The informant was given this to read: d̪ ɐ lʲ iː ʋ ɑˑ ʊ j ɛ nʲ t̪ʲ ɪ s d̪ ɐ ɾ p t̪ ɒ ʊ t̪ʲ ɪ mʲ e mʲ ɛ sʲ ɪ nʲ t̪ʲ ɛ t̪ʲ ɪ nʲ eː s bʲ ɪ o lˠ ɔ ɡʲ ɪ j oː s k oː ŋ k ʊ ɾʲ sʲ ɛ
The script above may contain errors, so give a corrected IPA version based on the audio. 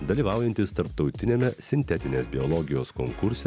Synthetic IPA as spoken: d̪ ɐ lʲ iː ʋ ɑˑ ʊ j ɛ nʲ t̪ʲ ɪ s t̪ ɐ ɾ p t̪ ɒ ʊ t̪ʲ ɪ nʲ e mʲ ɛ sʲ ɪ nʲ t̪ʲ ɛ t̪ʲ ɪ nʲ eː s bʲ ɪ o lˠ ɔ ɡʲ ɪ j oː s k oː ŋ k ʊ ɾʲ sʲ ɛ